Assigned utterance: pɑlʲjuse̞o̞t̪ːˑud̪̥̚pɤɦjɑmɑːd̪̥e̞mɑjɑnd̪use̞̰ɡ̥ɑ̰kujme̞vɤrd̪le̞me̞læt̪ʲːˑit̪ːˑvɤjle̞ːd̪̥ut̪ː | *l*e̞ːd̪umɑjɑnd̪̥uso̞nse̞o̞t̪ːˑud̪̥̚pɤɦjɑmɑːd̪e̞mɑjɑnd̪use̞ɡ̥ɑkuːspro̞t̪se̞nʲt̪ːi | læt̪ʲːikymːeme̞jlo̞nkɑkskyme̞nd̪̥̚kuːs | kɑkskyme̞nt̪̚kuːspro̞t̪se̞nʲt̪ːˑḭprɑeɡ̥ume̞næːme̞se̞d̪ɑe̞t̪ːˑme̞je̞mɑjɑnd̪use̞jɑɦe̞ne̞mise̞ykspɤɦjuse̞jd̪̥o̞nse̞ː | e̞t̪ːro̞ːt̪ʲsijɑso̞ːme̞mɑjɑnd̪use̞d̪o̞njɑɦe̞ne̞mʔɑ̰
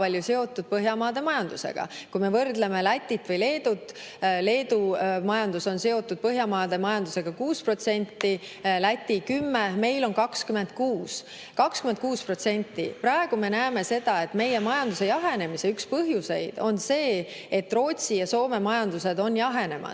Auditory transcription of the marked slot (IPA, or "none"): l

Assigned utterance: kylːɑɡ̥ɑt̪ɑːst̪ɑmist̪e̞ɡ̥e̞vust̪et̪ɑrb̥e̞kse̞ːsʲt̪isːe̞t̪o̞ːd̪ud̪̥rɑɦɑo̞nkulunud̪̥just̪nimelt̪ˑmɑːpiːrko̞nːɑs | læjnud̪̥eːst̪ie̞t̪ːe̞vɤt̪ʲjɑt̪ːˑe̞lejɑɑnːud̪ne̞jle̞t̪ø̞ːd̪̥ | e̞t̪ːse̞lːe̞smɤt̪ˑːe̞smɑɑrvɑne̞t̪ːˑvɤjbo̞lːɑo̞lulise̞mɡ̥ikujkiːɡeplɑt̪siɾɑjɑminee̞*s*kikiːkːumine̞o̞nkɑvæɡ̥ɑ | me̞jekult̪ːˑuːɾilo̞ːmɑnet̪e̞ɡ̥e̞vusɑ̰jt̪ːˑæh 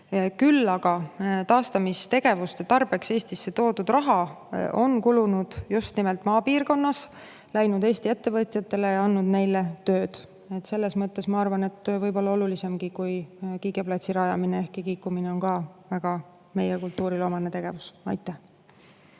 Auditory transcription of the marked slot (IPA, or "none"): h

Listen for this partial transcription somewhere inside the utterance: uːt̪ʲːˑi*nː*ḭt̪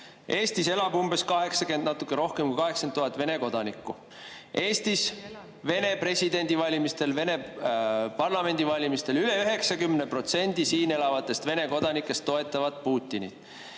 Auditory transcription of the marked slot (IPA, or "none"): n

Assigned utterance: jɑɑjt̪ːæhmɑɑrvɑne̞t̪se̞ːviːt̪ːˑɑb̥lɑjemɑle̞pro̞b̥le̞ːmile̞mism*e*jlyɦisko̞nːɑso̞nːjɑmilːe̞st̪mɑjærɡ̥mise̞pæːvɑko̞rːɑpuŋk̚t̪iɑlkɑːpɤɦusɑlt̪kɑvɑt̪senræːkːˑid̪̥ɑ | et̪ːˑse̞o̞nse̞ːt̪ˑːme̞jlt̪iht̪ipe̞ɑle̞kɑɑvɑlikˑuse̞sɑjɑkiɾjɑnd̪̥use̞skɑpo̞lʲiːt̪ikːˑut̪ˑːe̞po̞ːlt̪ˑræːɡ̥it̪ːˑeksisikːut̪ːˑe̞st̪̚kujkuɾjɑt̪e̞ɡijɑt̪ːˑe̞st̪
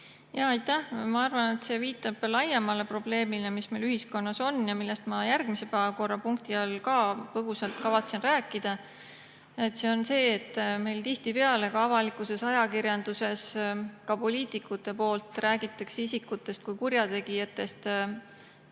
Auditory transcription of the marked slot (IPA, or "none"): e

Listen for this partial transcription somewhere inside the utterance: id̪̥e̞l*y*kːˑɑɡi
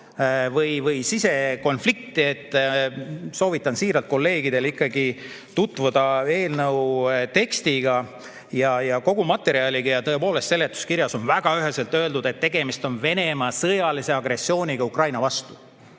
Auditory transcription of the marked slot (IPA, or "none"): i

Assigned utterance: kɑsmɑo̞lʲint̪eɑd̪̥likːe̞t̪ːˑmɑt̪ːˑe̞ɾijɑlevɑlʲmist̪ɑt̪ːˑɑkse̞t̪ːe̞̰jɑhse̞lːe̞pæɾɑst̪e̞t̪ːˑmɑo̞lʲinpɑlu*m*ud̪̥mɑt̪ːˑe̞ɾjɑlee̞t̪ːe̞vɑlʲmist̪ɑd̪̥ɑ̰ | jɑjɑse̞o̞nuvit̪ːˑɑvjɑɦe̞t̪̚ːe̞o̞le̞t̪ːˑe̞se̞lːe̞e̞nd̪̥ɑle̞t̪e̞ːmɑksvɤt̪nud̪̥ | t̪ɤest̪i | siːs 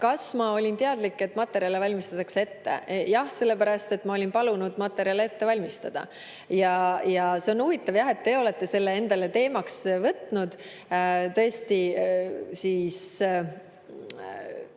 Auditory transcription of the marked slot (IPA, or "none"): n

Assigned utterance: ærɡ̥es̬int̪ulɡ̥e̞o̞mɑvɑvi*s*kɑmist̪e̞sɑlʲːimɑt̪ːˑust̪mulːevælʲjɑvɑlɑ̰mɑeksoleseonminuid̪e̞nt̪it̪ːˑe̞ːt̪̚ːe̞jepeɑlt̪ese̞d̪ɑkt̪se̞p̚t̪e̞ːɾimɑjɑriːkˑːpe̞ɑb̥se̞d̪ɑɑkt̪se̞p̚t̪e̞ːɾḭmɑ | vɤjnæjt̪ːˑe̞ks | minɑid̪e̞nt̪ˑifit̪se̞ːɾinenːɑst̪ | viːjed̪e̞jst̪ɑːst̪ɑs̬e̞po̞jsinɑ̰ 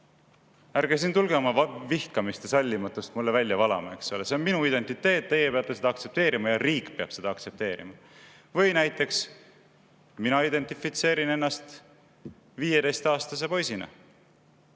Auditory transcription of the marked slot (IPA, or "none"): h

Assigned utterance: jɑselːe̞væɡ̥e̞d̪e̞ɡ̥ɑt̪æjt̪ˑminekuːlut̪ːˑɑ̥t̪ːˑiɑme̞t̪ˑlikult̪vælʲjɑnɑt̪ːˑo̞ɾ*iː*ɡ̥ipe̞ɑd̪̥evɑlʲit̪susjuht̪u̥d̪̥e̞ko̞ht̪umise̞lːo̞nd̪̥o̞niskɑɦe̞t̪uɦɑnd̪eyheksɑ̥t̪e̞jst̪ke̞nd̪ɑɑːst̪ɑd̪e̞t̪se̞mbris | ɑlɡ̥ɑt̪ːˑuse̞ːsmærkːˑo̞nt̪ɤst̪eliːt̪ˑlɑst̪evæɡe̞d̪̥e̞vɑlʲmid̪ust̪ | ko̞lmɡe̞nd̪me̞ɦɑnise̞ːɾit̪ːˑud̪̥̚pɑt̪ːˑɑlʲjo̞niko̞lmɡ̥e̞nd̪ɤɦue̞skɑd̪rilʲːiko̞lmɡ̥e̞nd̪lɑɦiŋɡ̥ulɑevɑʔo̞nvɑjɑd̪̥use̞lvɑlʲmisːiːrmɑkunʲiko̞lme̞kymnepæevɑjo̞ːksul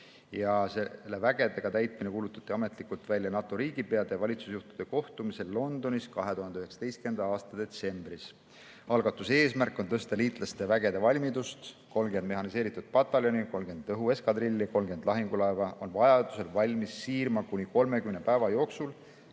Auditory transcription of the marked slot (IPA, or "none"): iː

